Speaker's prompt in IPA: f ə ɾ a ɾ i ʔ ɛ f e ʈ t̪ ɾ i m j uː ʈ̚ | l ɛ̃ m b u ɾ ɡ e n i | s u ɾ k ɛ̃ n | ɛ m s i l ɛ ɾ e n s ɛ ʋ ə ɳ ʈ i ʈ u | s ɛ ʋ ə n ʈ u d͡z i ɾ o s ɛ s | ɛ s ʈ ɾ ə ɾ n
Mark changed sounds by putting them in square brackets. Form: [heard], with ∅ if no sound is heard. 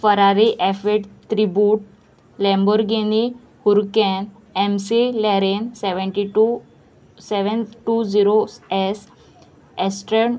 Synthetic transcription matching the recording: f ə ɾ a ɾ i ʔ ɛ f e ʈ t̪ ɾ i [b] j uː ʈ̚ | l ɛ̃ m b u ɾ ɡ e n i | [h] u ɾ k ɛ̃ n | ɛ m s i l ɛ ɾ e n s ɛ ʋ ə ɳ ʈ i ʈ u | s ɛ ʋ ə n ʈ u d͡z i ɾ o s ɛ s | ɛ s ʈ ɾ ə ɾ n